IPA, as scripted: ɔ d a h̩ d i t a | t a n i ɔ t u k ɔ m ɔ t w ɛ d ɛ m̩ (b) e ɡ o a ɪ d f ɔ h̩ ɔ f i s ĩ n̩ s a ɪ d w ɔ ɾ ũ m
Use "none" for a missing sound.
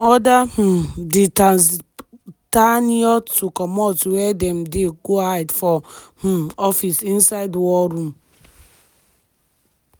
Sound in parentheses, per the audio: d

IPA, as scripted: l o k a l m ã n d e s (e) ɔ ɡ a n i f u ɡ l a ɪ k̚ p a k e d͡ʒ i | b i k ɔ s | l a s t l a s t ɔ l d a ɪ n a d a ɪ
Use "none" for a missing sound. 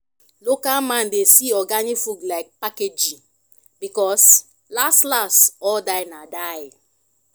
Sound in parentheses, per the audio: i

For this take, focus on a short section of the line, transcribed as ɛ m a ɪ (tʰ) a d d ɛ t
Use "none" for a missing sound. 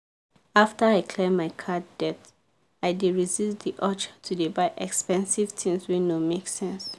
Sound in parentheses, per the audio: kʰ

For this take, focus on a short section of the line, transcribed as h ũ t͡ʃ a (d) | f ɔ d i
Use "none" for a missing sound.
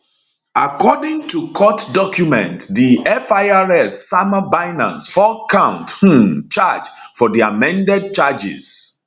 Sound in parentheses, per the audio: d͡ʒ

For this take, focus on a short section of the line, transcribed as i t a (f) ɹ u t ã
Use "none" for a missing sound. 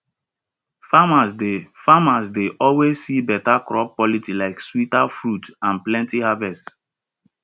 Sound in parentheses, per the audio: f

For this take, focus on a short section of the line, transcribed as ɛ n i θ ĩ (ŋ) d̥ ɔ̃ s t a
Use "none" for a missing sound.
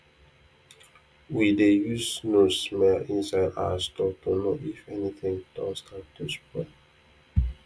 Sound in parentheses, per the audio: ŋ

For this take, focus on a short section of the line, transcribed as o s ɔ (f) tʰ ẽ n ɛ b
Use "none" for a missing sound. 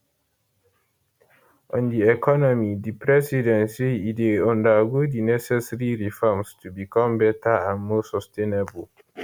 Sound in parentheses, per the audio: s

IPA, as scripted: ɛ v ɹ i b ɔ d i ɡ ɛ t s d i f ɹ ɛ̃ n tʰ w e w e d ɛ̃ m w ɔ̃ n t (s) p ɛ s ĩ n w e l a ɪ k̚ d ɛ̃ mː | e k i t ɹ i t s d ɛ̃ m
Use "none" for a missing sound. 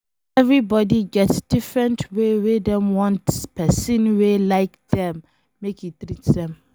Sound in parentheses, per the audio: s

